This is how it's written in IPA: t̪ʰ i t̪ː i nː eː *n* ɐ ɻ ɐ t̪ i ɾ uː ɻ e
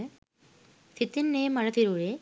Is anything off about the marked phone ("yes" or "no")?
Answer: yes